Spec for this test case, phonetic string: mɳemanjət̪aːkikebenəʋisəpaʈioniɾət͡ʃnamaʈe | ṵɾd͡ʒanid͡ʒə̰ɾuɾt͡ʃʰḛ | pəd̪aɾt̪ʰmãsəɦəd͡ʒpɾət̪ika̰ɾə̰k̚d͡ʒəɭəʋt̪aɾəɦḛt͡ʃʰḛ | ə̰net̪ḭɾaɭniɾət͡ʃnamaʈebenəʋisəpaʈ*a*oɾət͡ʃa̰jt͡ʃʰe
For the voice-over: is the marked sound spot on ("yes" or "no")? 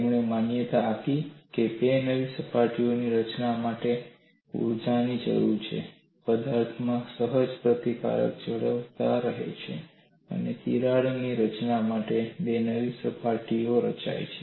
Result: no